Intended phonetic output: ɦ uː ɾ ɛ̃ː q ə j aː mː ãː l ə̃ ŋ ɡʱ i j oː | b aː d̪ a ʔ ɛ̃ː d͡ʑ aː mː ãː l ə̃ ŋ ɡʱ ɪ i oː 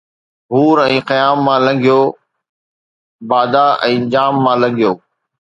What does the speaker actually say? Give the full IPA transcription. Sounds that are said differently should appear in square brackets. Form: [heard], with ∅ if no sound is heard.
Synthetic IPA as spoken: ɦ uː ɾ ɛ̃ː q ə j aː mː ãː l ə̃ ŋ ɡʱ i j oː | b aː d̪ a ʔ ɛ̃ː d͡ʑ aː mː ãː l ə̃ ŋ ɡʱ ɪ [j] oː